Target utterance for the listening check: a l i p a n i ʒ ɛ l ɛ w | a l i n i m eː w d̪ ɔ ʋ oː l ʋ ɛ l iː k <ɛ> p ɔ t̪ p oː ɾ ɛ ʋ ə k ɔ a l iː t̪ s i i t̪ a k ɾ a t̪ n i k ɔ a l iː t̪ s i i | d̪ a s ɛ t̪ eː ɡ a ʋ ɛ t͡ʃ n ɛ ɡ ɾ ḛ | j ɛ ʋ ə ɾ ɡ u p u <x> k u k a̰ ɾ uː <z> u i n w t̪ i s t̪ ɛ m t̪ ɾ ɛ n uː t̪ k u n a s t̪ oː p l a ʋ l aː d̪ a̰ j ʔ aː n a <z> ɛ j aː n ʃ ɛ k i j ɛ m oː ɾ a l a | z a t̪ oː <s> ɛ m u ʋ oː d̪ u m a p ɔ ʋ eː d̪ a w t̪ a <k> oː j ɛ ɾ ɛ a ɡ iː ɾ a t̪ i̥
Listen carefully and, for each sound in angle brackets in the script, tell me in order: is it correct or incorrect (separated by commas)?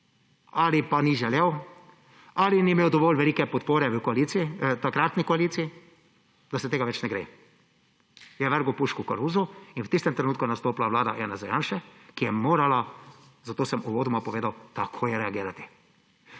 correct, incorrect, correct, correct, correct, incorrect